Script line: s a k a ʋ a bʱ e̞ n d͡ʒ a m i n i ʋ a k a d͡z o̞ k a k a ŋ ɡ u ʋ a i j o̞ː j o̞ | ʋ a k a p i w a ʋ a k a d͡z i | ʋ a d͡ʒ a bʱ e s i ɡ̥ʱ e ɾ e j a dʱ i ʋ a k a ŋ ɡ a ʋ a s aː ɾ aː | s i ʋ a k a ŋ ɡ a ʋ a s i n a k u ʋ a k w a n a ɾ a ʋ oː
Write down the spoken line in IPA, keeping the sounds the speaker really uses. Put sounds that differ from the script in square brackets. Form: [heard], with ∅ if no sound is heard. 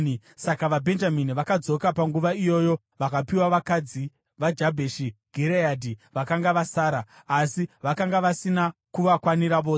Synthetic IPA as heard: s a k a ʋ a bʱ e̞ n d͡ʒ a m i n i ʋ a k a d͡z o̞ k a [p] a ŋ ɡ u ʋ a i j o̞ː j o̞ | ʋ a k a p i w a ʋ a k a d͡z i | ʋ a d͡ʒ a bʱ e [ʃ] i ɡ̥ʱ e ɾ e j a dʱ i ʋ a k a ŋ ɡ a ʋ a s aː ɾ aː | s i ʋ a k a ŋ ɡ a ʋ a s i n a k u ʋ a k w a n [i] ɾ a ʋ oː

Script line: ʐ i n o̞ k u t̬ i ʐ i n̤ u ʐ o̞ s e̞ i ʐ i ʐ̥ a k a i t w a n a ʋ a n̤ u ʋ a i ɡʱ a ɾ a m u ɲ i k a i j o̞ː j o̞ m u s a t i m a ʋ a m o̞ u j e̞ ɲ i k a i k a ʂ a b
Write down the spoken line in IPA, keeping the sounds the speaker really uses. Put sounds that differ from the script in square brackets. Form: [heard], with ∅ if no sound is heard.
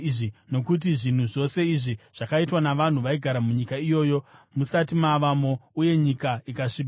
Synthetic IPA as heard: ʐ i n o̞ k u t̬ i ʐ i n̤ u ʐ o̞ s e̞ i ʐ i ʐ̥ a k a i t w a n a ʋ a n̤ u ʋ a i ɡʱ a ɾ a m u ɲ i k a i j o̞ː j o̞ m u s a t i m a ʋ a m o̞ u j e̞ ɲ i k a i k a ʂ [i] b

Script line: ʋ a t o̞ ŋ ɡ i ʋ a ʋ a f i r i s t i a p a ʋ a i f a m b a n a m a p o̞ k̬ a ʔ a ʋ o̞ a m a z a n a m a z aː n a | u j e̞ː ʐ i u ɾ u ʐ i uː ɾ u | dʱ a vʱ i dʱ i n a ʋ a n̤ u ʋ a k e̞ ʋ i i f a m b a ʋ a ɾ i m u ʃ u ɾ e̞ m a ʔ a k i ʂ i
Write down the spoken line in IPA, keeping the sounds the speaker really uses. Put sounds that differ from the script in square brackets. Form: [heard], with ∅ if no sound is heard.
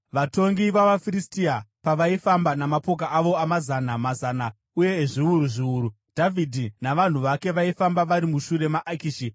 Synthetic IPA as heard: ʋ a t o̞ ŋ ɡ i ʋ a ʋ a f i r i s t i a p a ʋ a i f a m b a n a m a p o̞ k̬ a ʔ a ʋ o̞ a m a z a n a m a z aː n a | u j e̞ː ʐ i u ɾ u ʐ i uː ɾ u | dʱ a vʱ i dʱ i n a ʋ a n̤ u ʋ a k e̞ ʋ [a] i f a m b a ʋ a ɾ i m u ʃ u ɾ e̞ m a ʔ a k i [ʃ] i

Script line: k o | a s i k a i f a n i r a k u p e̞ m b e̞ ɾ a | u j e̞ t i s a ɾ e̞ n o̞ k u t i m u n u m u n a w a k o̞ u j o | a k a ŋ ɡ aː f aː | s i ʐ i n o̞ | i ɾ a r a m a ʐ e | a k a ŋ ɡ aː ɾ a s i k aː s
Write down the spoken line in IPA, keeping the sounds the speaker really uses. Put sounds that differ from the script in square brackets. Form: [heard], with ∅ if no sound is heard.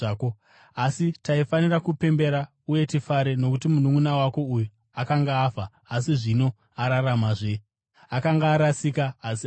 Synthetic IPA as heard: k o | a s i [t] a i f a n i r a k u p e̞ m b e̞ ɾ a | u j e̞ t i [f] a ɾ e̞ n o̞ k u t i m u n u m u n a w a k o̞ u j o | a k a ŋ ɡ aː f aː | s i ʐ i n o̞ | [a] ɾ a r a m a ʐ e | a k a ŋ ɡ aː ɾ a s i k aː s

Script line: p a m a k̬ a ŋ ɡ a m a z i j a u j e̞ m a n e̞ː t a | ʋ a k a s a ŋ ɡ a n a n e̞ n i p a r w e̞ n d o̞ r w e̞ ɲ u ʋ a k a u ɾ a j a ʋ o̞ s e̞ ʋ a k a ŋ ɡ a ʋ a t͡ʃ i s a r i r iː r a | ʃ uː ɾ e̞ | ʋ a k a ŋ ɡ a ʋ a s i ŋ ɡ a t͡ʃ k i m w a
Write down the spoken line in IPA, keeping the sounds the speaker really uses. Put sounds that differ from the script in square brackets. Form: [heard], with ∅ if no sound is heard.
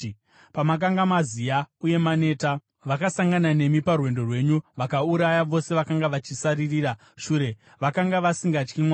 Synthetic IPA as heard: p a m a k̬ a ŋ ɡ a m a z i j a u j e̞ m a n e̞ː t a | ʋ a k a s a ŋ ɡ a n a n e̞ [m] i p a r w e̞ n d o̞ r w e̞ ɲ u ʋ a k a u ɾ a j a ʋ o̞ s e̞ ʋ a k a ŋ ɡ a ʋ a t͡ʃ i s a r i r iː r a | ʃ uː ɾ e̞ | ʋ a k a ŋ ɡ a ʋ a s i ŋ ɡ a t͡ʃ k i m w a

